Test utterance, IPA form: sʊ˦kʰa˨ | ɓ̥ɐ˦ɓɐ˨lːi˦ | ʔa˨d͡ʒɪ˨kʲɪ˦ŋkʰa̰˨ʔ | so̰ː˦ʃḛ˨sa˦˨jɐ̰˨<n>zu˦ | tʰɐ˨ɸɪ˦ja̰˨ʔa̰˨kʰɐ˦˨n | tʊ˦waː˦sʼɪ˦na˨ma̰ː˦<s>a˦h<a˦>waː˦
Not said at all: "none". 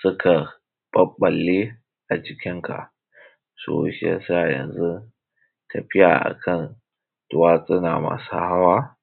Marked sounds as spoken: n, s, a˦

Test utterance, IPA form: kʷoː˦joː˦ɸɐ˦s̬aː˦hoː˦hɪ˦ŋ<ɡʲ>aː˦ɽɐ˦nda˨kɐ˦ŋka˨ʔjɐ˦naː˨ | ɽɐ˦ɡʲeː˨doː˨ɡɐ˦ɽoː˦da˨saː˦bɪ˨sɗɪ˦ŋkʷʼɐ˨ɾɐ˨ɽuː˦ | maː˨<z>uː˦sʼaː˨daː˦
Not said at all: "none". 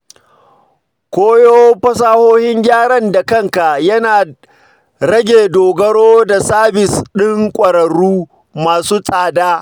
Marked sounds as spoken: ɡʲ, s

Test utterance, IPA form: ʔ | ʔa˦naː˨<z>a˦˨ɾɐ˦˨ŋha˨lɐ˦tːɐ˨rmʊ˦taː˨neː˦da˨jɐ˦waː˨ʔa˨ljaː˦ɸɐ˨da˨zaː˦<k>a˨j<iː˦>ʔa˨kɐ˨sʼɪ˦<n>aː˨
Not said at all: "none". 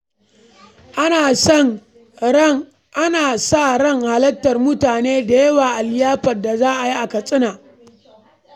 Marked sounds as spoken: s, ʔ, i˦, n

